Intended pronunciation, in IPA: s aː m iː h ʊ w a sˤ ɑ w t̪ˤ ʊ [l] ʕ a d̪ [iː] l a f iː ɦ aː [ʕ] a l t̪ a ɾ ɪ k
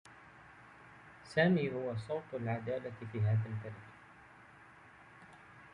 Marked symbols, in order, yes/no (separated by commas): yes, no, no